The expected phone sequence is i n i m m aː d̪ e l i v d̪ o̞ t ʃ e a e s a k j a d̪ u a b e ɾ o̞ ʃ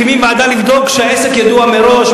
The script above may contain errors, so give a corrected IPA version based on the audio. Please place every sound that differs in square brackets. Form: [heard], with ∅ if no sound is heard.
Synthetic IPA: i [m] i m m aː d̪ [a] l i v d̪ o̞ [k] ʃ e a e s [e] k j a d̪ u a [m] e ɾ o̞ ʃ